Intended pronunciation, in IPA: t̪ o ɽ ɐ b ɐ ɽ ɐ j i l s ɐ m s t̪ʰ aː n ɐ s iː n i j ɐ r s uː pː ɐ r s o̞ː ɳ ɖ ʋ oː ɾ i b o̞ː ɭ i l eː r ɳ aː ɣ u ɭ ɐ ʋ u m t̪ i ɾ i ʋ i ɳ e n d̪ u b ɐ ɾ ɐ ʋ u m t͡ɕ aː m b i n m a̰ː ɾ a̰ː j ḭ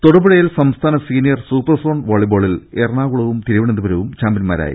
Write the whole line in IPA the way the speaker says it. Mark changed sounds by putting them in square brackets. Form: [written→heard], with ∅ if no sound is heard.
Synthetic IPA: t̪ o ɽ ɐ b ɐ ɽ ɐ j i l s ɐ m s t̪ʰ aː n ɐ s iː n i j ɐ r s uː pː ɐ r s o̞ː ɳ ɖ ʋ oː [ɾ→ɭ] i b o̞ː ɭ i l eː r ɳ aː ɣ u ɭ ɐ ʋ u m t̪ i ɾ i ʋ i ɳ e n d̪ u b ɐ ɾ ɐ ʋ u m t͡ɕ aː m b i n m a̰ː ɾ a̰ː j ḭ